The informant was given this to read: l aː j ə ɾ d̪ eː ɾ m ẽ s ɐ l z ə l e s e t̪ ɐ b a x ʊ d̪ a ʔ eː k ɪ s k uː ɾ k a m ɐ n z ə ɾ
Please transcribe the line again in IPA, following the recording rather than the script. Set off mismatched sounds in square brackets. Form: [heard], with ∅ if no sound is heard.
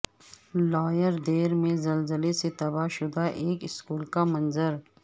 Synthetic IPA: l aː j ə ɾ d̪ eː ɾ m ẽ [z] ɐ l z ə l e s e t̪ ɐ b a [ʃ] ʊ d̪ a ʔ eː k ɪ s k uː [l] k a m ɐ n z ə ɾ